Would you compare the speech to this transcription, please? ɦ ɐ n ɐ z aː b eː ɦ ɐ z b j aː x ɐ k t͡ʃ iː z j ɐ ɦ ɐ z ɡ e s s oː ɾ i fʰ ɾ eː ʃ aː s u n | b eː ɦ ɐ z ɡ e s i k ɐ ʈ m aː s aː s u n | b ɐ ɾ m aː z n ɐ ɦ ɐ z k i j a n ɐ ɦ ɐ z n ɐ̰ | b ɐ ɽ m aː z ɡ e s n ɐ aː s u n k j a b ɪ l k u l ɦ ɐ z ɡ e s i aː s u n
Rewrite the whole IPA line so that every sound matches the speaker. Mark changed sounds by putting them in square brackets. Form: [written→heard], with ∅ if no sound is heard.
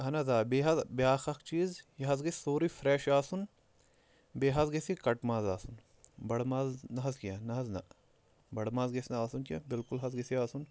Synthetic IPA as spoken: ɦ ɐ n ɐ z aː b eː ɦ ɐ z b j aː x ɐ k t͡ʃ iː z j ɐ ɦ ɐ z ɡ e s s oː ɾ i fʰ ɾ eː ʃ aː s u n | b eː ɦ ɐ z ɡ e s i k ɐ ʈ m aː [s→z] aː s u n | b ɐ [ɾ→ɽ] m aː z n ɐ ɦ ɐ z k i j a n ɐ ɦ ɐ z n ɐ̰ | b ɐ ɽ m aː z ɡ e s n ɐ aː s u n k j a b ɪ l k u l ɦ ɐ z ɡ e s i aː s u n